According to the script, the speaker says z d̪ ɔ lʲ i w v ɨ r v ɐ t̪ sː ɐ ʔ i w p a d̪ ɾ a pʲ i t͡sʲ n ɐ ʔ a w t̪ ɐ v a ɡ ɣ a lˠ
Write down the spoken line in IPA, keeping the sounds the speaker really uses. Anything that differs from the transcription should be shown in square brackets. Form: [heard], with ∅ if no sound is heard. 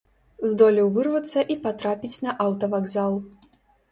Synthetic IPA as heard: z d̪ ɔ lʲ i w v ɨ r v ɐ t̪ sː ɐ ʔ i [∅] p a [t̪] ɾ a pʲ i t͡sʲ n ɐ ʔ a w t̪ ɐ v a ɡ [z] a lˠ